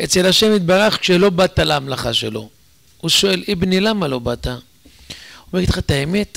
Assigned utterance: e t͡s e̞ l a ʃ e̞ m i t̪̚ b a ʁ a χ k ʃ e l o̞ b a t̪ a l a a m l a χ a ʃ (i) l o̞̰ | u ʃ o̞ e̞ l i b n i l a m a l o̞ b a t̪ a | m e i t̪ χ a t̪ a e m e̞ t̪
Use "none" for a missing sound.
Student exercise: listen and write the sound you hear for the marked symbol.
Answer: e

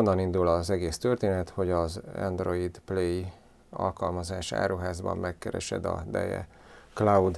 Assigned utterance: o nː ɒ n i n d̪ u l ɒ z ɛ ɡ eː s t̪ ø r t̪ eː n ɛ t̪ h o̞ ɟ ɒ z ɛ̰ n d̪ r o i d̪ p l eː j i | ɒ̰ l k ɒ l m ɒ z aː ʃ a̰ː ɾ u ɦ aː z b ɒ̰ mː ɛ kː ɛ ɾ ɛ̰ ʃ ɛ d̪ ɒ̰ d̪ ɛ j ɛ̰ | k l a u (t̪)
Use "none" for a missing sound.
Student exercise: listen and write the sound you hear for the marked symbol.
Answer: d̪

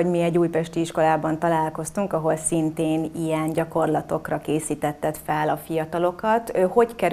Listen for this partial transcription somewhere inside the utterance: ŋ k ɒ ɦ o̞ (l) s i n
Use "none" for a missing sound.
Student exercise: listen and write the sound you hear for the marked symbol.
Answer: l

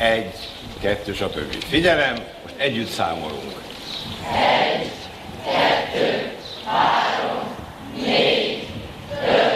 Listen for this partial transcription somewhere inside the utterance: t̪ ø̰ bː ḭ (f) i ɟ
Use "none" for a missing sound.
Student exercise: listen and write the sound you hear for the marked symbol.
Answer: f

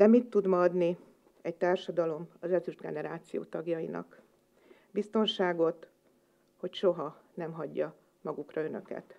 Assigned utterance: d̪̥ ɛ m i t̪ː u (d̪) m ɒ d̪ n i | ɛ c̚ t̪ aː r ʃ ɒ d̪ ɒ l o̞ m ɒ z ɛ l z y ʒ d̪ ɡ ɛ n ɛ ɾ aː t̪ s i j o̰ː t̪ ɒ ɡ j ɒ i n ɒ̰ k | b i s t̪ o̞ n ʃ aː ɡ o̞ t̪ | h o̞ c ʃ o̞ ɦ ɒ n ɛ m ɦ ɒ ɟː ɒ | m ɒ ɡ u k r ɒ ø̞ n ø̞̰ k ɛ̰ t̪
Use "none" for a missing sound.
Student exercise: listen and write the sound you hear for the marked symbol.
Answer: d̪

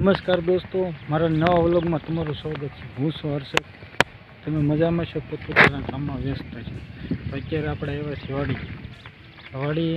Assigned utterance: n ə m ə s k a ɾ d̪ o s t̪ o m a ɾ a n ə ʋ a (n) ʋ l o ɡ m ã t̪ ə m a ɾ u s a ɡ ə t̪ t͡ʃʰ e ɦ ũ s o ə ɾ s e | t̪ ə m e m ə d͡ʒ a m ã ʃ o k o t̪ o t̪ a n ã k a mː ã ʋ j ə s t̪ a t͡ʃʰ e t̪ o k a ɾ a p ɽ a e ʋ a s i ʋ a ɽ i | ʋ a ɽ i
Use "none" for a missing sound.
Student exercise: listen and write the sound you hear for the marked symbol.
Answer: none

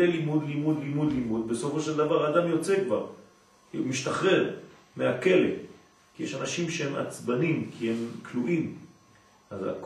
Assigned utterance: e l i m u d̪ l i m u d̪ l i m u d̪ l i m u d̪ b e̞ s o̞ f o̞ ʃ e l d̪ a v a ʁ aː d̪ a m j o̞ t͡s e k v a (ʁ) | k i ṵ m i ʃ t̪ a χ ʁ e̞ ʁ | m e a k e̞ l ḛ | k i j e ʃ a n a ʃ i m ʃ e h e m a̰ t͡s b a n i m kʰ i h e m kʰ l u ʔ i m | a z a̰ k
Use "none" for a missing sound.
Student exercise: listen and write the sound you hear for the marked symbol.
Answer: ʁ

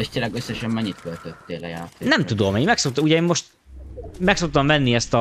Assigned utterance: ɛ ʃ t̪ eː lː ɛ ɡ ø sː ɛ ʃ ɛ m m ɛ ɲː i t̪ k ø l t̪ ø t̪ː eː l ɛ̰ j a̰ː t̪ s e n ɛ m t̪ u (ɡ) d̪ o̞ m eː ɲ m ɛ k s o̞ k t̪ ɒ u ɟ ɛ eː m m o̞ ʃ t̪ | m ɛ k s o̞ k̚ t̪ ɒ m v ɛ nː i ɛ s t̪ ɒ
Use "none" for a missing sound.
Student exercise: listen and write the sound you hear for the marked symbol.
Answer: none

